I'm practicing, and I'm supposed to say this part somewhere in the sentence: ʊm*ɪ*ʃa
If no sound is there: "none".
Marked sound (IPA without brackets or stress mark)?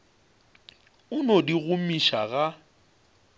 i